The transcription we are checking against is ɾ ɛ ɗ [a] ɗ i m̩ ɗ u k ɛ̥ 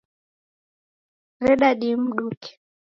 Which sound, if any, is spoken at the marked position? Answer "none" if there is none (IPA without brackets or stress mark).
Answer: a